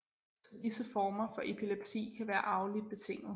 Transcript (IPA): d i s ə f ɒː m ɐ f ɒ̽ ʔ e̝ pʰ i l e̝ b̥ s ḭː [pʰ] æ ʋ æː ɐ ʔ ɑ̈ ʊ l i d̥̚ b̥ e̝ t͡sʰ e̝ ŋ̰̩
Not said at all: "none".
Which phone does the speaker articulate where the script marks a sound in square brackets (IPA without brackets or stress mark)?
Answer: kʰ